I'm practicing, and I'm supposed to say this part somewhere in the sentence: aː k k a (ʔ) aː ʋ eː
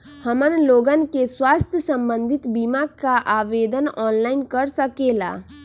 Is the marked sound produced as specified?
yes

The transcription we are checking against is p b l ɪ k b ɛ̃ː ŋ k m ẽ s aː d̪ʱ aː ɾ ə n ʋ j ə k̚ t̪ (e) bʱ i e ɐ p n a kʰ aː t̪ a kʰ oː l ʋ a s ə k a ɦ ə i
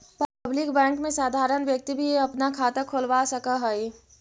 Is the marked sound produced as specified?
no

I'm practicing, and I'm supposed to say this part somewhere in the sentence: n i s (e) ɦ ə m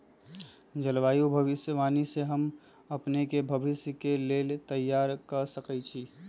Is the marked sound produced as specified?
yes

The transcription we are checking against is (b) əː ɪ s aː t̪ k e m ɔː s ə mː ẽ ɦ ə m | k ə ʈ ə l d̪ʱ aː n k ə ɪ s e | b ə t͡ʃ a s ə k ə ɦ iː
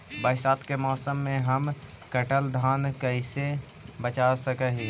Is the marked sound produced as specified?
yes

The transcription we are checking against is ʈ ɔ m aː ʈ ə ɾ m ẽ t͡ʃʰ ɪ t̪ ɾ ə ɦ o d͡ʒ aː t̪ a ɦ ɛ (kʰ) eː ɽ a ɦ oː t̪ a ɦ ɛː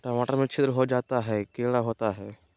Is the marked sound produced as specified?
no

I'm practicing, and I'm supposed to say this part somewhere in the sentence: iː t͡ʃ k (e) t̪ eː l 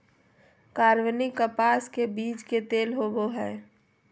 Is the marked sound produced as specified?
yes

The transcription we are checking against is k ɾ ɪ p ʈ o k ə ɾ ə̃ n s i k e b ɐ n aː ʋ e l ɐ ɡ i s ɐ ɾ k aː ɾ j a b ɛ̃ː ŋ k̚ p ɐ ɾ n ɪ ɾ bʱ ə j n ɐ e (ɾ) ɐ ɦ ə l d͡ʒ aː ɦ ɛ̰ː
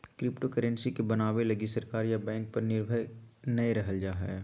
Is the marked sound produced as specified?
yes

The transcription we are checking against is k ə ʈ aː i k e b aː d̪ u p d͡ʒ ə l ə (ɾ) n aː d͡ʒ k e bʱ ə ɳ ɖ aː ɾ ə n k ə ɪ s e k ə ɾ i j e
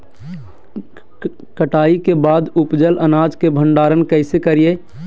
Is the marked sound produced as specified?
no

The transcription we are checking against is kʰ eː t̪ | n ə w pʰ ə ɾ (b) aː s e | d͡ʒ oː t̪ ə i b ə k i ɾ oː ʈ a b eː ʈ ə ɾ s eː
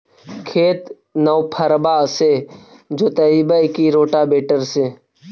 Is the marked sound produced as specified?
yes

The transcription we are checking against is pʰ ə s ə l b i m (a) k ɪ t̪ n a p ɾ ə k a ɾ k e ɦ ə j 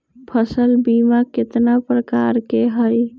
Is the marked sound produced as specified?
yes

